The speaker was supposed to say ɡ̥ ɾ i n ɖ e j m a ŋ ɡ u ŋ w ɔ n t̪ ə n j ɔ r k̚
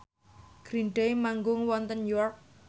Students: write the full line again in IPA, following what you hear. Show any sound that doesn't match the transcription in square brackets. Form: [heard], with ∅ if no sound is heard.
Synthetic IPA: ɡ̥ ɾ i n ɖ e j m a ŋ ɡ [ʊ] ŋ w ɔ n t̪ ə n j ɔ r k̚